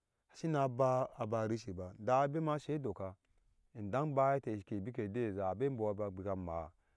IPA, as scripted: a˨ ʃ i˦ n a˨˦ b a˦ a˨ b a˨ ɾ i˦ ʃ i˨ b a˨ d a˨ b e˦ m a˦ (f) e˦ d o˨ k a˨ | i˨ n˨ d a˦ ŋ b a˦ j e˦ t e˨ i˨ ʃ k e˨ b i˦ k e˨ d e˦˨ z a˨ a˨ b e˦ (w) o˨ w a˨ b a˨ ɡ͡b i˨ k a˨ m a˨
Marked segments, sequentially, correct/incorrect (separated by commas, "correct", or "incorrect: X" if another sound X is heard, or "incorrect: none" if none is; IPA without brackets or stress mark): incorrect: ʃ, incorrect: b